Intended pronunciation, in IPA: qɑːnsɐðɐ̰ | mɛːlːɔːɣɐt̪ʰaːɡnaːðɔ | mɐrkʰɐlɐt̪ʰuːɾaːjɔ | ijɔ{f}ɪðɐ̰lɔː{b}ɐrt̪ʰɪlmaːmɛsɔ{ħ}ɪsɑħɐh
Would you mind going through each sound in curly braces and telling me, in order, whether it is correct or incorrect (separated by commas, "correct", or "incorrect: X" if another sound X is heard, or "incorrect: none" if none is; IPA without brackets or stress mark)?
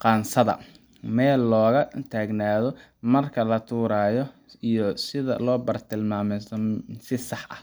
incorrect: s, correct, incorrect: s